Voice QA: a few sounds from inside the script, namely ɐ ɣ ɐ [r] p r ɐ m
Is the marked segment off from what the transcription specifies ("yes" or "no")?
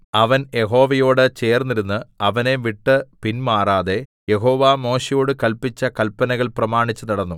yes